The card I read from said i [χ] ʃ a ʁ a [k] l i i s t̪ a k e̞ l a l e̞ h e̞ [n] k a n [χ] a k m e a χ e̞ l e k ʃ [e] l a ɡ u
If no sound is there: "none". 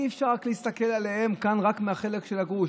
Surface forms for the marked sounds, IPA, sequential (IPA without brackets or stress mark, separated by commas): f, k, m, ʁ, e